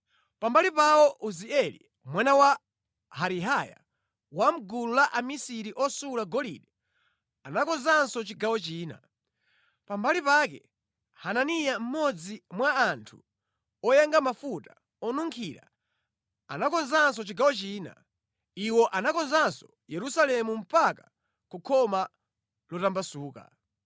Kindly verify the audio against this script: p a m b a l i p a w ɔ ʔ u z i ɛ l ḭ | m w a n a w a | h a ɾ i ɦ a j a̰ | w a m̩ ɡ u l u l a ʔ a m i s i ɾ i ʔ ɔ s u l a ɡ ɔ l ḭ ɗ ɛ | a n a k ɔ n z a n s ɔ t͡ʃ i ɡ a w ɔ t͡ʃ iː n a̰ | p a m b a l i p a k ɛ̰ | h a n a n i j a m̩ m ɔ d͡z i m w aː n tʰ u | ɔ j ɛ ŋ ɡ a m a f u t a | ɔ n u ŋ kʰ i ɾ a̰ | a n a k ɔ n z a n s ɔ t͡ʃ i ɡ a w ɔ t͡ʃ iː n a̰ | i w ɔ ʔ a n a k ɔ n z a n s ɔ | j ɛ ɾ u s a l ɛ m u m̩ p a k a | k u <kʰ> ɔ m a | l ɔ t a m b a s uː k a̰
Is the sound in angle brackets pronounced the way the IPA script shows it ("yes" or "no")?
yes